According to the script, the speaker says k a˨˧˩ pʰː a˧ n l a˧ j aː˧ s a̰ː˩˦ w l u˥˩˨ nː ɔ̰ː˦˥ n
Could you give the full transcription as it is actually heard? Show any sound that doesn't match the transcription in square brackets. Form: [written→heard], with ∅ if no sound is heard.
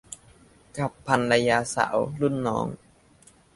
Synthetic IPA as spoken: k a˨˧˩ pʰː a˧ n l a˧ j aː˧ s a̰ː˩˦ w l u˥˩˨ nː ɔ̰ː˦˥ [n→ŋ]